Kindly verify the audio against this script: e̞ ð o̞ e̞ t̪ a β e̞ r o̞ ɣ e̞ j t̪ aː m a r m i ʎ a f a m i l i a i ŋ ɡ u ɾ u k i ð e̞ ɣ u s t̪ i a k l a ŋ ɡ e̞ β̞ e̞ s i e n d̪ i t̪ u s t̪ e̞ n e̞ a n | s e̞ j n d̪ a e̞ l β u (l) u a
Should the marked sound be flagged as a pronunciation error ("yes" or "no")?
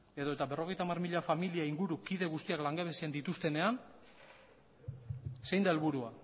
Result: yes